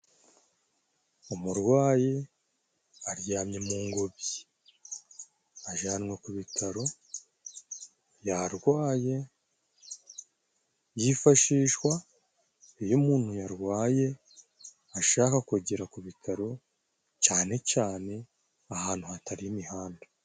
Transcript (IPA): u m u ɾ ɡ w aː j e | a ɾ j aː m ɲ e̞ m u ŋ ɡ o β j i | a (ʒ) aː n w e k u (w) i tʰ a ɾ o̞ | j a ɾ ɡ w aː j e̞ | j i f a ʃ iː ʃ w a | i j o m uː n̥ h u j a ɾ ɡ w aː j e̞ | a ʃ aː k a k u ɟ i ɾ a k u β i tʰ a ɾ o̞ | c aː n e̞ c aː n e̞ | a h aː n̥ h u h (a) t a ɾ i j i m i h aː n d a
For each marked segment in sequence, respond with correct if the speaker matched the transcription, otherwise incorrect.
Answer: correct, incorrect: β, correct

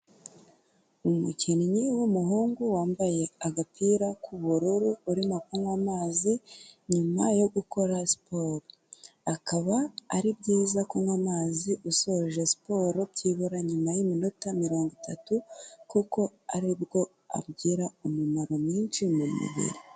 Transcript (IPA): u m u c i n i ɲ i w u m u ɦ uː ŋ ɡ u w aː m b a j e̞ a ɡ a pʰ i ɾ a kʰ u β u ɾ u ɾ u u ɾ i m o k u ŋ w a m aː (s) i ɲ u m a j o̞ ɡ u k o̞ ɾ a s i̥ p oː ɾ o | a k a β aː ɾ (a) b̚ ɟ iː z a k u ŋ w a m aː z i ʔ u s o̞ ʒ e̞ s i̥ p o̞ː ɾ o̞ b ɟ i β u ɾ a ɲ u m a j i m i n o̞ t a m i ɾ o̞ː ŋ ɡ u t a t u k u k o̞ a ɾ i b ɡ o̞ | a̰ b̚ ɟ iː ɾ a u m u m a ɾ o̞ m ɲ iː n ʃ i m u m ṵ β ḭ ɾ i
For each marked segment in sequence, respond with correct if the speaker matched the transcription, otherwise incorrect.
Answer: incorrect: z, incorrect: i

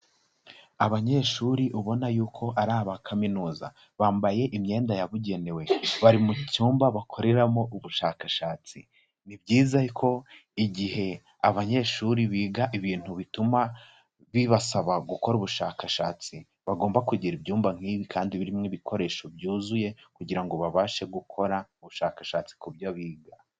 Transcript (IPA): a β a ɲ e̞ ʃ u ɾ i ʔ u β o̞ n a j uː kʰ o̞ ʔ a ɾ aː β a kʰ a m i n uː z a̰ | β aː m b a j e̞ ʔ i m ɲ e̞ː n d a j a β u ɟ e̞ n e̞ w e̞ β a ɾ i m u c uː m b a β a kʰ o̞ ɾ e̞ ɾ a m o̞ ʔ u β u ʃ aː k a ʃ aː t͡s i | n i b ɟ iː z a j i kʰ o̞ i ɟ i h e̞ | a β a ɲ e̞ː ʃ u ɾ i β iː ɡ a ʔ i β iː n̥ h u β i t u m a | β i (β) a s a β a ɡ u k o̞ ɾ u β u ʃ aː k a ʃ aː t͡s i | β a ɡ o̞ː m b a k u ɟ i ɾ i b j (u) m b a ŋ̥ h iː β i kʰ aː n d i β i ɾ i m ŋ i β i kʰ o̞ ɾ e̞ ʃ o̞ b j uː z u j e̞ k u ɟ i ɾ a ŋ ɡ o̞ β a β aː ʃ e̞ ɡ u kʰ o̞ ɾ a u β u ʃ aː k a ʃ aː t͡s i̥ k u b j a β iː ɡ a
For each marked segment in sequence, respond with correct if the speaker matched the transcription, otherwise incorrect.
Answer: correct, incorrect: uː

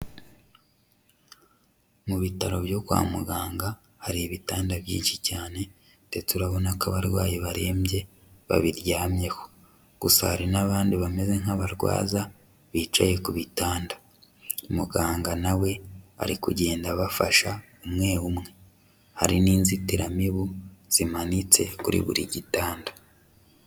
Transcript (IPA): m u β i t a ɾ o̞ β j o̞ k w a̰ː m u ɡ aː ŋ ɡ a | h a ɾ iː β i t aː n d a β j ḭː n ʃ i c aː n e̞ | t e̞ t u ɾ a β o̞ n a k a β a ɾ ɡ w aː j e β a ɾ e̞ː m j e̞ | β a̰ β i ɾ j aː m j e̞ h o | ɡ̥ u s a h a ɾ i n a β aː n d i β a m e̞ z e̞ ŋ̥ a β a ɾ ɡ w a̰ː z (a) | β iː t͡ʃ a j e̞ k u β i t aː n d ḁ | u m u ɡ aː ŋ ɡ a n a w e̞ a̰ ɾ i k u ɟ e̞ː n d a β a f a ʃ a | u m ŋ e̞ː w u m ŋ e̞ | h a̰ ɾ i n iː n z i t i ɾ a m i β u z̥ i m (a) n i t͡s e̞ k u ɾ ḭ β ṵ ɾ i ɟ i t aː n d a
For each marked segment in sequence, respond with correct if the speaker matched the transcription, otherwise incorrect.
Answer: correct, correct

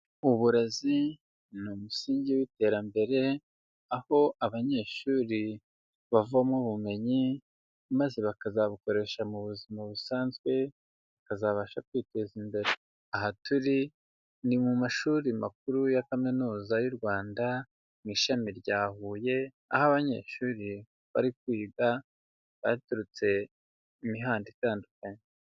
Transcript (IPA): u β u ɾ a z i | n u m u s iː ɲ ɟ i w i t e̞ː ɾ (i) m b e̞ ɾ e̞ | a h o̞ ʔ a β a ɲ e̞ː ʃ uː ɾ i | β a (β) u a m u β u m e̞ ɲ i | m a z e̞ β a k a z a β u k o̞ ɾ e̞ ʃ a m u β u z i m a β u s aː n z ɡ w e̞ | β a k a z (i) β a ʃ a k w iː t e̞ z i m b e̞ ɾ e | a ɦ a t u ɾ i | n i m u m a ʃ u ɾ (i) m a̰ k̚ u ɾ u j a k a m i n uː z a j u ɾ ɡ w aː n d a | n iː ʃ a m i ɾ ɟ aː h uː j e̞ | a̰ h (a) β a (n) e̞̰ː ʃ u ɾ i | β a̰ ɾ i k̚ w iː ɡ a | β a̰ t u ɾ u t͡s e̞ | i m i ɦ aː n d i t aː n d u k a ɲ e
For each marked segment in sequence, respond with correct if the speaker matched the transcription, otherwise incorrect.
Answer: incorrect: a, incorrect: v, incorrect: a, correct, correct, incorrect: ɲ

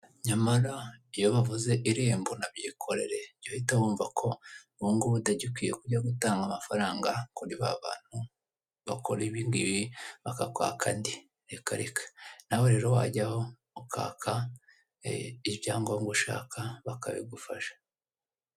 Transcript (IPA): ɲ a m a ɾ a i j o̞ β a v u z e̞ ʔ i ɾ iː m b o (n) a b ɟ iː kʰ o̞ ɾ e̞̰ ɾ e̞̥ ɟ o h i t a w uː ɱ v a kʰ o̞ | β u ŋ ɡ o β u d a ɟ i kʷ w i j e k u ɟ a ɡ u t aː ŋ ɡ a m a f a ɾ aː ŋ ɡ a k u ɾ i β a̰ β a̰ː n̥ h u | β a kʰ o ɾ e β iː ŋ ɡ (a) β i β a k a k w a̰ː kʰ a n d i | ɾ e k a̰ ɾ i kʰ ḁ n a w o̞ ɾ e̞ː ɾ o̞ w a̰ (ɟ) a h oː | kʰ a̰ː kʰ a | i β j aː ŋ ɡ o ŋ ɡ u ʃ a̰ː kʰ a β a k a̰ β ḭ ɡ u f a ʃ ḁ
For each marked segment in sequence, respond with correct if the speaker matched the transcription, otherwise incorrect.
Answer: correct, incorrect: i, correct

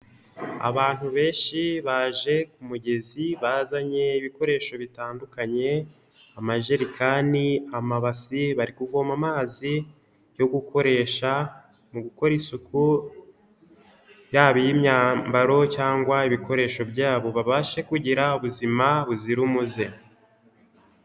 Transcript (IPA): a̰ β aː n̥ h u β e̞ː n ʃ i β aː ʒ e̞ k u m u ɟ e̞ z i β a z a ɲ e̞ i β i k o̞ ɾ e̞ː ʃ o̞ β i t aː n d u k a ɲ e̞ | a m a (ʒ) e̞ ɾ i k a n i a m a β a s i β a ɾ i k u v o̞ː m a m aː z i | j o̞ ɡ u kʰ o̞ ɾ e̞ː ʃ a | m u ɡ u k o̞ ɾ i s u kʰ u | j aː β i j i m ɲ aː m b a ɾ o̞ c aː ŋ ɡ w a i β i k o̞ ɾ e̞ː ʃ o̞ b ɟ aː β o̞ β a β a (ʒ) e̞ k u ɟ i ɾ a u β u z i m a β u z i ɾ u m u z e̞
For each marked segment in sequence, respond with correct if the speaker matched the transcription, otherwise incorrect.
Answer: correct, incorrect: ʃ

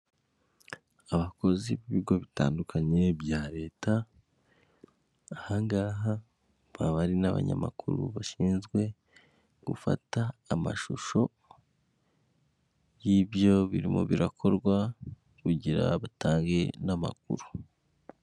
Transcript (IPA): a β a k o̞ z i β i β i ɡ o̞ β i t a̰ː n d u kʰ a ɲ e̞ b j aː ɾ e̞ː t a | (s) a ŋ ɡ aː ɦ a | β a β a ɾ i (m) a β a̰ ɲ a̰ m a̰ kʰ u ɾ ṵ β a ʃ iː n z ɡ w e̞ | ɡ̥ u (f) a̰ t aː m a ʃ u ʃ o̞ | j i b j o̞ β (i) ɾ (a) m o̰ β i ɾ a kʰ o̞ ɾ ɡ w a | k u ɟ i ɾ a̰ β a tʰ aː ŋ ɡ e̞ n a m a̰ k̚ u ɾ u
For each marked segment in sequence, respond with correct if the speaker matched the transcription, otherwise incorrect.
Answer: incorrect: h, incorrect: n, correct, correct, incorrect: i

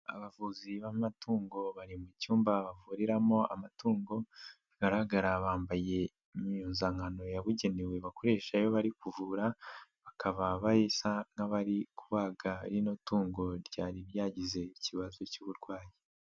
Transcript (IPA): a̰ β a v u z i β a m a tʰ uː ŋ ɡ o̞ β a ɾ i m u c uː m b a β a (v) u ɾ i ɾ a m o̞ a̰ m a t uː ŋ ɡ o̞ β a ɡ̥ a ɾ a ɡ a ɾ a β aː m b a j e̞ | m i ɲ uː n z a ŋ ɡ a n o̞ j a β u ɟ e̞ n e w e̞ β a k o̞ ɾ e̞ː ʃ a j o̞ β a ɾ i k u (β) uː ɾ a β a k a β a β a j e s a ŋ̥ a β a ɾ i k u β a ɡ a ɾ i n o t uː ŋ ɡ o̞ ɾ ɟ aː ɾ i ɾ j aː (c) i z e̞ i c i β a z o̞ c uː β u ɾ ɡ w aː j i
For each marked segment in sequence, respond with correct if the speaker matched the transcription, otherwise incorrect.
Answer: correct, incorrect: v, incorrect: ɟ

